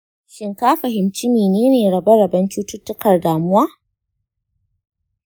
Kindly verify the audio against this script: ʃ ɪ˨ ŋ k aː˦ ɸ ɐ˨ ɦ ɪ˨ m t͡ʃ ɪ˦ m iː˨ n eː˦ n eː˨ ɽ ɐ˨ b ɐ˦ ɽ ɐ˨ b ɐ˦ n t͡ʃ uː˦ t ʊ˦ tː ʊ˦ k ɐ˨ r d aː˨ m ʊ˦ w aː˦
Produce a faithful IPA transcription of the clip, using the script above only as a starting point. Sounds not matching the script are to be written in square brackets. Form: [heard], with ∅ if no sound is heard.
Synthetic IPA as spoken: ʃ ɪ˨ ŋ k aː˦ ɸ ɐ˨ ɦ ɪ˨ m t͡ʃ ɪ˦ m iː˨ n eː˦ n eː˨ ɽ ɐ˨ b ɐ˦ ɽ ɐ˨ b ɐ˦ n t͡ʃ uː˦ t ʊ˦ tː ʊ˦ k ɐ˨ r d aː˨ m ʊ˦ w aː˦

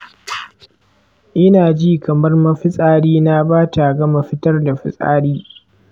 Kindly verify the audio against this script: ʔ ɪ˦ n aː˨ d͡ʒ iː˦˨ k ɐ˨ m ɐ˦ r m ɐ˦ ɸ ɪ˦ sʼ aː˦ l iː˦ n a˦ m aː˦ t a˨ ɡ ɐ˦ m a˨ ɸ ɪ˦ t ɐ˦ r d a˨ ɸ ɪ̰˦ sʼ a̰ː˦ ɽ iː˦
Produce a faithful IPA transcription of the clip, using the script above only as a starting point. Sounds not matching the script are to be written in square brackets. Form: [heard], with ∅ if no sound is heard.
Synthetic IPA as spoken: ʔ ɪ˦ n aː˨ d͡ʒ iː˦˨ k ɐ˨ m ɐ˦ r m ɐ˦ ɸ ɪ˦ sʼ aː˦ [ɽ] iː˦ n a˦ [b] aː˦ t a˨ ɡ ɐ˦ m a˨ ɸ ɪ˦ t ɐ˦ r d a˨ ɸ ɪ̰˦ sʼ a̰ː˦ ɽ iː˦

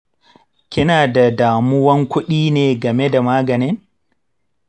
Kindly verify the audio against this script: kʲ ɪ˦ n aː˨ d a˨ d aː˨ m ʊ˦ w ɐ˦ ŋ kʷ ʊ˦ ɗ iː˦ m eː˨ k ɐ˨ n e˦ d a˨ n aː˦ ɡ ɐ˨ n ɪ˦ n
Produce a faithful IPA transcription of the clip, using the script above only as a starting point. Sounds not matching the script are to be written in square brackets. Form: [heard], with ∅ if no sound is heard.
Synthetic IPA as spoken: kʲ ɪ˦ n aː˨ d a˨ d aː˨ m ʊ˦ w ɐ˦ ŋ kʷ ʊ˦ ɗ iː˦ [n] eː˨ [ɡ] ɐ˨ [m] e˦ d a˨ [m] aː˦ ɡ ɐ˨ n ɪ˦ n

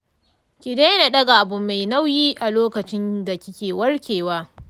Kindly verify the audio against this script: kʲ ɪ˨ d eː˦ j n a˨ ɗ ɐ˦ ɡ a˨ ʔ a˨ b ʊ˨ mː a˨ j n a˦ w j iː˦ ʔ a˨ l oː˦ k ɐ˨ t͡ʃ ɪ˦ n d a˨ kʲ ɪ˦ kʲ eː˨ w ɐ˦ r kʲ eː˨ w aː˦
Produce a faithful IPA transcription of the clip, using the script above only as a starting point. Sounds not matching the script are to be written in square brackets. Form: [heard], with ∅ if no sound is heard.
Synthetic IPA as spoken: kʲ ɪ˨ d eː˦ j n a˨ ɗ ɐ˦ ɡ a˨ ʔ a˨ b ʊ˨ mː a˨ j n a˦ w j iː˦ ʔ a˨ l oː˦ k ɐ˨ t͡ʃ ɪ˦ n d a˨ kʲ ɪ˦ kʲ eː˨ w ɐ˦ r kʲ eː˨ w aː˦

